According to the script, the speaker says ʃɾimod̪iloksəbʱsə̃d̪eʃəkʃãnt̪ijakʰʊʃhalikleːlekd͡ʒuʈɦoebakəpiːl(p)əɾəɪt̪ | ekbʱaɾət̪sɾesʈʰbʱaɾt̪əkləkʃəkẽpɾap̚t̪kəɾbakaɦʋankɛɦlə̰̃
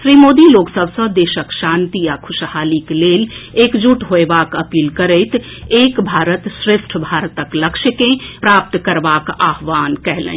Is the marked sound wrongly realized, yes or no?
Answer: yes